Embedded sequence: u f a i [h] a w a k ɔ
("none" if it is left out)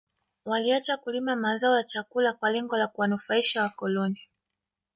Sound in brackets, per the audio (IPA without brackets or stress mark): ʃ